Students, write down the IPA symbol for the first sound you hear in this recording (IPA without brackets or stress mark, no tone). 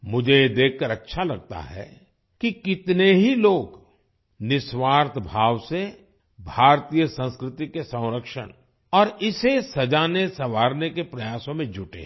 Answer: m